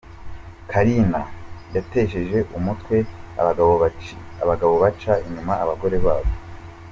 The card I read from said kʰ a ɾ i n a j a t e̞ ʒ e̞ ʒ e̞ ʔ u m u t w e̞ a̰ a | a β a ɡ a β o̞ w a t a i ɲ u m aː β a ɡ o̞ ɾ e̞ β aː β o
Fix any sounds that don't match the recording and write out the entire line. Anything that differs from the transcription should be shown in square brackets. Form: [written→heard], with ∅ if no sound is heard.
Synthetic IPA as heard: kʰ a ɾ i n a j a t e̞ [ʒ→ʃ] e̞ ʒ e̞ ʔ u m u t w e̞ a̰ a | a β a ɡ a β o̞ [w→β] a [t→t͡ʃ] a i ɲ u m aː β a ɡ o̞ ɾ e̞ β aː β o